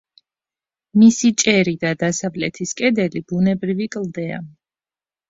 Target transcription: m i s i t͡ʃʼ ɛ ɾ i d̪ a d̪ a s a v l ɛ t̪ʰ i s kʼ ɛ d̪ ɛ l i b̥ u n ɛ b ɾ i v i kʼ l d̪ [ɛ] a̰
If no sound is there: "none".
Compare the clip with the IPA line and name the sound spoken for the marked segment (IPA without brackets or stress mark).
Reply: ɛ